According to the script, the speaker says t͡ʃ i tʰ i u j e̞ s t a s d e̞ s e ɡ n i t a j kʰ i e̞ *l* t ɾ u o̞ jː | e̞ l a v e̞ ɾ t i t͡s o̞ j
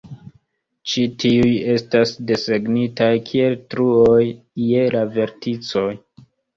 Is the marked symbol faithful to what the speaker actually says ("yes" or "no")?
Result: yes